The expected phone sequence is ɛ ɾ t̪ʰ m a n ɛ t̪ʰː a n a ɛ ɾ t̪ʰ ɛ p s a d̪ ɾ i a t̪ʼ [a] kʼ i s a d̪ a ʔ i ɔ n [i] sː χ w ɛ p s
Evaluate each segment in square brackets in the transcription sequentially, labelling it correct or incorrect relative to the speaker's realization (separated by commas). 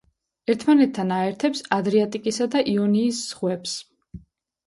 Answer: incorrect, incorrect